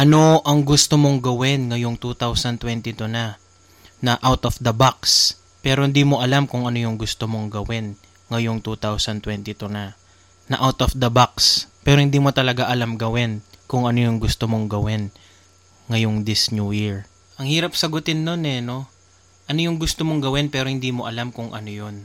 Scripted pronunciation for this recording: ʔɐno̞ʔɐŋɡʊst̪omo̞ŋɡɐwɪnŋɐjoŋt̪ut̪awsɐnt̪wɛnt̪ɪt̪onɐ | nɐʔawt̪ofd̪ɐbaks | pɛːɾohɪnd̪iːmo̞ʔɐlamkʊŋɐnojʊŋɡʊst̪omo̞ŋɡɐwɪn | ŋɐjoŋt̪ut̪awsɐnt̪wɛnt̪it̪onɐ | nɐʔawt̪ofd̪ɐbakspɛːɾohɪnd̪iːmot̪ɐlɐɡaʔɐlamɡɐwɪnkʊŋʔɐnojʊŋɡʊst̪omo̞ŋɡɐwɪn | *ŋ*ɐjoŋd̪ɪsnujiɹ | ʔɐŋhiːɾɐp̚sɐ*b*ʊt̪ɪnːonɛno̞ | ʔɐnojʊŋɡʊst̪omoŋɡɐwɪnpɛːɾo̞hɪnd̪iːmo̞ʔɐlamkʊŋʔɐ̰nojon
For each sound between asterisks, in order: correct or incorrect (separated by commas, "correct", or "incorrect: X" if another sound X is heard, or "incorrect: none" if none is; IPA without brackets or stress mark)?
correct, incorrect: ɡ